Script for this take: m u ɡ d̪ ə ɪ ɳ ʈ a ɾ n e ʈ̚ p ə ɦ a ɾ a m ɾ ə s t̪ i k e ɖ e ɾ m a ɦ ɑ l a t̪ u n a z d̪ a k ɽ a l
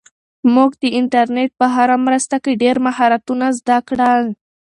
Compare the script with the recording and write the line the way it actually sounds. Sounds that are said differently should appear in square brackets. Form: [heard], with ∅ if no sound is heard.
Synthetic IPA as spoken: m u ɡ d̪ ə ɪ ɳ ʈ a ɾ n e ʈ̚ p ə ɦ a ɾ a m ɾ ə s t̪ [a] k e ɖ e ɾ m a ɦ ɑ [ɾ] a t̪ u n a z d̪ a k ɽ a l